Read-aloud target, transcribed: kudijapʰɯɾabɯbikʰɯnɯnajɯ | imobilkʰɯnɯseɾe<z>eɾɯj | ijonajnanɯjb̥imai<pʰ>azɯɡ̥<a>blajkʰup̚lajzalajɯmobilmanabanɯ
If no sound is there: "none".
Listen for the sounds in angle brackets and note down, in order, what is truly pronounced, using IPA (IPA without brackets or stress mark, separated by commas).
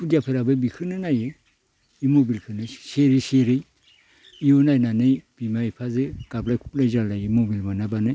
s, pʰ, a